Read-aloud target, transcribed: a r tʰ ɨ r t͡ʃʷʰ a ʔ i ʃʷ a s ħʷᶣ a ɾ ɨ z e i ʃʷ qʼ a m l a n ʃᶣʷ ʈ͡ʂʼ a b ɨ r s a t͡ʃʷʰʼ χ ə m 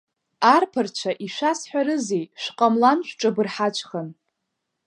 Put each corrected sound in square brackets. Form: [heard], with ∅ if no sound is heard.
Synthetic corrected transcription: a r [pʰ] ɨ r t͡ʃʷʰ a ʔ i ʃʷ a s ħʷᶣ a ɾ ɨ z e [j] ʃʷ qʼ a m l a n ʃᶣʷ ʈ͡ʂʼ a b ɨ r [ħ] a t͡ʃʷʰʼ χ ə [n]